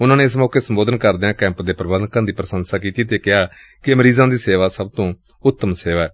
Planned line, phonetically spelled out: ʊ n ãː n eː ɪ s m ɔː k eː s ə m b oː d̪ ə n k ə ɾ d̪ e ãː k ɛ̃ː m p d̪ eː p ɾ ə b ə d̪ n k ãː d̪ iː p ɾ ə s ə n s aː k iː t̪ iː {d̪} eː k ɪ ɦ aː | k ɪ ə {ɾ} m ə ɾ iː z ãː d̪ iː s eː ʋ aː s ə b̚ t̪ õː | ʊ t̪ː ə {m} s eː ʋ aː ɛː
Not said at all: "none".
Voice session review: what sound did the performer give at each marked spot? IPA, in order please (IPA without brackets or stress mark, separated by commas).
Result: t̪, none, m